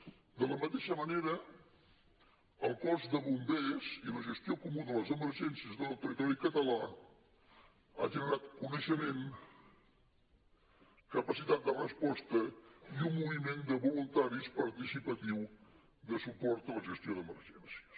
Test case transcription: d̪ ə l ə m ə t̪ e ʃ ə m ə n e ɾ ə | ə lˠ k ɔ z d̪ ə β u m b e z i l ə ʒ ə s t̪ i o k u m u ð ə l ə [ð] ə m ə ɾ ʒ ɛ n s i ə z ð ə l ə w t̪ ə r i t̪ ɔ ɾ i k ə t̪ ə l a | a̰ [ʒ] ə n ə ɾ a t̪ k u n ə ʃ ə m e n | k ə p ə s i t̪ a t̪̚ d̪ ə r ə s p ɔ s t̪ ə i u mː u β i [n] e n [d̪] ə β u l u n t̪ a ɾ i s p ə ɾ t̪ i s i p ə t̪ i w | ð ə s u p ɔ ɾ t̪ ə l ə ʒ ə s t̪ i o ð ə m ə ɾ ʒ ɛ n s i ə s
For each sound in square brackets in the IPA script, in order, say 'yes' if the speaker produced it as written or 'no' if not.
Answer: no, yes, no, yes

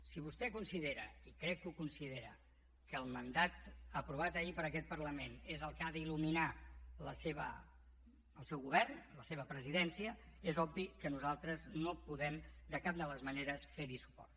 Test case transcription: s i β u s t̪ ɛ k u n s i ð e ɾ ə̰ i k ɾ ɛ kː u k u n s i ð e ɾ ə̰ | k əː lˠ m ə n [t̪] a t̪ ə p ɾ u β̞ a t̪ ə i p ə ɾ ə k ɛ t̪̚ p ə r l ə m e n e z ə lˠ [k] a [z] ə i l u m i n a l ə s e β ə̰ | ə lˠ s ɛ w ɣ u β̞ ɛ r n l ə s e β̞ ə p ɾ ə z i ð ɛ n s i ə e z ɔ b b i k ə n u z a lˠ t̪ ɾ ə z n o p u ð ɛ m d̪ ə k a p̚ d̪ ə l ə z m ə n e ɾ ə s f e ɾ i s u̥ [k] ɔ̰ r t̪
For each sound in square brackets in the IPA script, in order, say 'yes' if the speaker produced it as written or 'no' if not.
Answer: no, yes, no, no

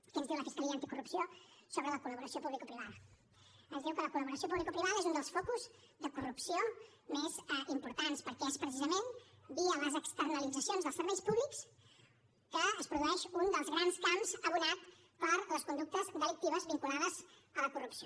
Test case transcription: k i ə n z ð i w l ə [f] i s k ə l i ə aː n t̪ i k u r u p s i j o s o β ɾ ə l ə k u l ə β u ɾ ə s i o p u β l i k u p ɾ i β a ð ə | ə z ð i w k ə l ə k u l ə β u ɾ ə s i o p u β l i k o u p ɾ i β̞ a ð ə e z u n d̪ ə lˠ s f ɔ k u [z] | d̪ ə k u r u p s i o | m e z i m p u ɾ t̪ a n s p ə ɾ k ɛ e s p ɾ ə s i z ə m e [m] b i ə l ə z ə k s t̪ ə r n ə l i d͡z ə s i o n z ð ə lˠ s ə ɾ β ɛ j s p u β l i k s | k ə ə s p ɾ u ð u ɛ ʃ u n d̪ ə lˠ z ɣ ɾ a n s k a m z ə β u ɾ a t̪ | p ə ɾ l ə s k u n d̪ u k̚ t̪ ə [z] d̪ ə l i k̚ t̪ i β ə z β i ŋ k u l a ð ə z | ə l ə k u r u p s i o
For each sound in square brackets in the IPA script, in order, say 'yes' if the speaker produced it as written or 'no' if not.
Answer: yes, yes, no, yes

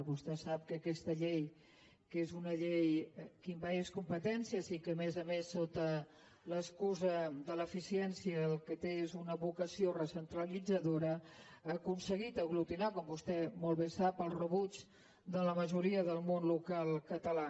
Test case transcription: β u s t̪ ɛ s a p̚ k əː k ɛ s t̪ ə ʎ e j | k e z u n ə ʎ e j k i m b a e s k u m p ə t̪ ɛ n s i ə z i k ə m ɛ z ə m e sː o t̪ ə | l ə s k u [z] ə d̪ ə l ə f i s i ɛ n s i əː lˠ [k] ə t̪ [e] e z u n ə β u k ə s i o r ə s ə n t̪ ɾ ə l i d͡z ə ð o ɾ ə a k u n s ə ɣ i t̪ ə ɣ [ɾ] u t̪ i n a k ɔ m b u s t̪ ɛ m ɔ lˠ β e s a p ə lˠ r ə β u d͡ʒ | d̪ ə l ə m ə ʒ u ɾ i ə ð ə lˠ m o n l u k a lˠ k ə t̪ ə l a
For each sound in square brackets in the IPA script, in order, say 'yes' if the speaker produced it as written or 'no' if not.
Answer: yes, yes, yes, no

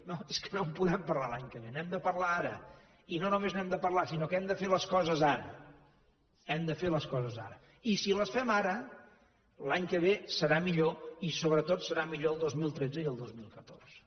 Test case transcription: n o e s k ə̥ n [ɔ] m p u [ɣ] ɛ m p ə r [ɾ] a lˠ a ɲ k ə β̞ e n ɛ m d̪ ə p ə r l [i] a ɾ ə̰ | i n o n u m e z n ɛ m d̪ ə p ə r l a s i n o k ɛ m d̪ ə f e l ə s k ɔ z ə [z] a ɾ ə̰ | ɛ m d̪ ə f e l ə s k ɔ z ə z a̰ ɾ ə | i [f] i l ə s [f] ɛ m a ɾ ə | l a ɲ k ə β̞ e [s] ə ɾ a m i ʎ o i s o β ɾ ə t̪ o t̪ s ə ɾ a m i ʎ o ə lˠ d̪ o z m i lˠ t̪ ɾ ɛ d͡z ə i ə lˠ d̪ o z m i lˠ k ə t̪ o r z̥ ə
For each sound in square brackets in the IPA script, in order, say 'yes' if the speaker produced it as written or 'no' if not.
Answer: no, no, no, no, yes, no, yes, yes

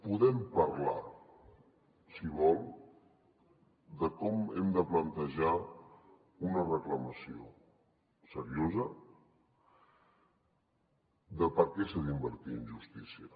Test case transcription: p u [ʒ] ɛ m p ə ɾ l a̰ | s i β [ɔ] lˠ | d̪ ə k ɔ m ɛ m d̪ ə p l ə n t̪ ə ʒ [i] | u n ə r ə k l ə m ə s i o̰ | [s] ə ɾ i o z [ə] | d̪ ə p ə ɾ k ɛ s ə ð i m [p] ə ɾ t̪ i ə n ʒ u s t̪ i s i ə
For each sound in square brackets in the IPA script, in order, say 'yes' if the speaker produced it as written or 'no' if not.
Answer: no, yes, no, yes, yes, no

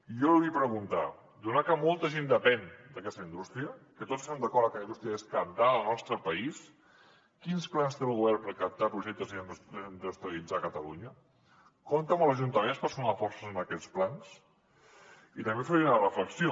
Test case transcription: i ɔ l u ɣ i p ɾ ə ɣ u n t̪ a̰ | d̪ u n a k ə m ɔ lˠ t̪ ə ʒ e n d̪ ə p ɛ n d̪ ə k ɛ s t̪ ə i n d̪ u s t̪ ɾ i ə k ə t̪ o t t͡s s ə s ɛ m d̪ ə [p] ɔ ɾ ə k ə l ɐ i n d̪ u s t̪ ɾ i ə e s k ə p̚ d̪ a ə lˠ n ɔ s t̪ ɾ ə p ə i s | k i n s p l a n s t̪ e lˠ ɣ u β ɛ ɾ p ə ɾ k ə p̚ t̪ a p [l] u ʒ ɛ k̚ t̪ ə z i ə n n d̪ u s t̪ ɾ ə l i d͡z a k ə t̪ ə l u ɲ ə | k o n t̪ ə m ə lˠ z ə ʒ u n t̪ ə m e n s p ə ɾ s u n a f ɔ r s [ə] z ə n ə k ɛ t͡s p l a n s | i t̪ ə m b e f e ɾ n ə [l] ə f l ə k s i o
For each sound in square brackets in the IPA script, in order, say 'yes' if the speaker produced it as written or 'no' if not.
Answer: no, no, yes, no

